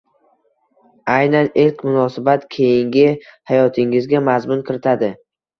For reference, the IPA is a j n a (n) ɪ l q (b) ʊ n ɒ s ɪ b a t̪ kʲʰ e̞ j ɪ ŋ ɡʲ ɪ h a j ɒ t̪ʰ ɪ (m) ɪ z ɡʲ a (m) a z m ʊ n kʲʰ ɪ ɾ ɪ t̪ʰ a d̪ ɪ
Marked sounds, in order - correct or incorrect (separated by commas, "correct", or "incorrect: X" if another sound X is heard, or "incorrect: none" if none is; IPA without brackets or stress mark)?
correct, incorrect: m, incorrect: ŋ, correct